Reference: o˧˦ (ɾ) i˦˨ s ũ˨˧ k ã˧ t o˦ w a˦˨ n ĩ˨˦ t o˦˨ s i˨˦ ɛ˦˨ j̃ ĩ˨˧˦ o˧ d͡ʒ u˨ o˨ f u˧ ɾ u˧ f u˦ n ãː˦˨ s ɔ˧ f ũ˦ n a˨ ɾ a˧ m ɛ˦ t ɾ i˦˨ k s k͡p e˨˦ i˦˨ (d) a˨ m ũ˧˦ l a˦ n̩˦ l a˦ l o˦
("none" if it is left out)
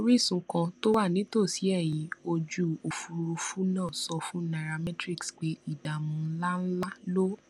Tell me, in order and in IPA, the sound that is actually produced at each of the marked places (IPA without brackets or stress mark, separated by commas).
ɾ, d